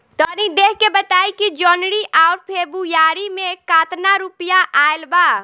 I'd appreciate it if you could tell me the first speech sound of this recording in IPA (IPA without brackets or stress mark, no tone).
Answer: t̪